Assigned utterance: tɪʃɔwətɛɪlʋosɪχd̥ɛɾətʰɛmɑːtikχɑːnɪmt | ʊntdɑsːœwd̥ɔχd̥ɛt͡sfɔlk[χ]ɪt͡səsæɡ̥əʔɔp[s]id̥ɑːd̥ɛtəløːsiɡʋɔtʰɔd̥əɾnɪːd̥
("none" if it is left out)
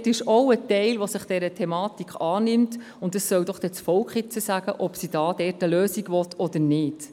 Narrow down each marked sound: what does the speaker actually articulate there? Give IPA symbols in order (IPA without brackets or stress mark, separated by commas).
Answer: χ, s